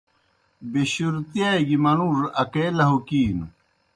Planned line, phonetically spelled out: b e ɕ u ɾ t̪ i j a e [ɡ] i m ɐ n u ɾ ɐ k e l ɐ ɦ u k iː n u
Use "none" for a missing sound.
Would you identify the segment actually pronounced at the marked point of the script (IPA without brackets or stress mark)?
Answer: ɡ